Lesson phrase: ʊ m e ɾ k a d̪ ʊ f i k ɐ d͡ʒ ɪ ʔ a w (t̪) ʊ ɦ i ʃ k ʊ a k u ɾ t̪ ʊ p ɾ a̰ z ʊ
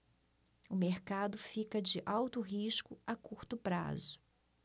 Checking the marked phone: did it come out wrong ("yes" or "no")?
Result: no